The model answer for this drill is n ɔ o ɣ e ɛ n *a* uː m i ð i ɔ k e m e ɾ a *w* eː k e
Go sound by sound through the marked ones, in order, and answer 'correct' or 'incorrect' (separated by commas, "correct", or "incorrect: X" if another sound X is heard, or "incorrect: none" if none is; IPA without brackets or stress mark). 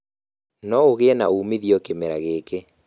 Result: correct, incorrect: ɣ